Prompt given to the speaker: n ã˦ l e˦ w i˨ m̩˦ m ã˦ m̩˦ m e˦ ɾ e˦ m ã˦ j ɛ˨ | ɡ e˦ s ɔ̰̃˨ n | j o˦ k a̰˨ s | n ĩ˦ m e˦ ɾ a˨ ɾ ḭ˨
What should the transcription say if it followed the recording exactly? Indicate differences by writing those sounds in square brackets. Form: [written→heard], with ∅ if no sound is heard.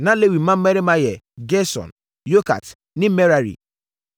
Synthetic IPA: n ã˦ l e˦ w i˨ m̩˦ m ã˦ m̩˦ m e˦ ɾ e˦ m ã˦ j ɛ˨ | ɡ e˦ s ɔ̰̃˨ n | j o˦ k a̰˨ [s→t] | n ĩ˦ m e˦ ɾ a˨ ɾ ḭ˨